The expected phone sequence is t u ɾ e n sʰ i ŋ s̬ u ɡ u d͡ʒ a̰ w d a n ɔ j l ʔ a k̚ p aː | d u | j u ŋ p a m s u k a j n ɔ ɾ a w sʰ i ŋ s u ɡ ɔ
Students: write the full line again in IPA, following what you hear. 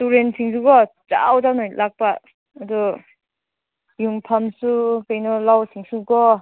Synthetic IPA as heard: t u ɾ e n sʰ i ŋ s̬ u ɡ ɔ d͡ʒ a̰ w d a n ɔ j l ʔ a k̚ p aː | d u | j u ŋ pʰ a m s u k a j n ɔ l a w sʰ i ŋ s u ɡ ɔ